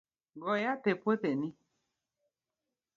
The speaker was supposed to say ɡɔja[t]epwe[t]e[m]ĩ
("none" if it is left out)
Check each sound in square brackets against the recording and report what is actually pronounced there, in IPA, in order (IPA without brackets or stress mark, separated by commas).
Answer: t, t, n